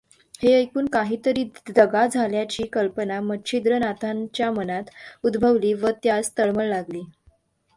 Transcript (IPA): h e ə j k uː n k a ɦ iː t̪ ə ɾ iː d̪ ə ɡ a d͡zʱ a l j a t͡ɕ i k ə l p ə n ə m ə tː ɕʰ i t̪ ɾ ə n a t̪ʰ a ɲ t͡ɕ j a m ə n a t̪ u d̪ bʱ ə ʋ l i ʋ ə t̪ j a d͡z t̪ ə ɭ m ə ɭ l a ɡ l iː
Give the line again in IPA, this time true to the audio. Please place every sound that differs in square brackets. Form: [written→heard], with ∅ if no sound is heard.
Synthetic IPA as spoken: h e ə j k uː n k a ɦ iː t̪ ə ɾ iː d̪ ə ɡ a d͡zʱ a l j a t͡ɕ [i→iː] k ə l p ə n [ə→a] m ə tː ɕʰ i [t̪→d̪] ɾ ə n a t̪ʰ a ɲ t͡ɕ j a m ə n a t̪ u d̪ bʱ ə ʋ l [i→iː] ʋ ə t̪ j a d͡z t̪ ə ɭ m ə ɭ l a ɡ l iː